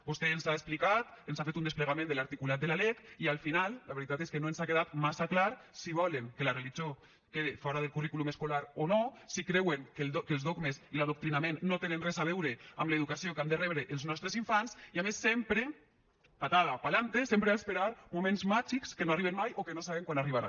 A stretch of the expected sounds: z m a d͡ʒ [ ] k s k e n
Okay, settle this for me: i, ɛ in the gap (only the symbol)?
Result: i